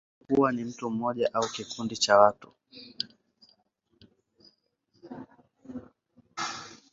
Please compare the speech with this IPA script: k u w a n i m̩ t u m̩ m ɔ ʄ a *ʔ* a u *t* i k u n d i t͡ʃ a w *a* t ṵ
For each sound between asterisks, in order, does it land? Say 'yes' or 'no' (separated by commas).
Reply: yes, no, yes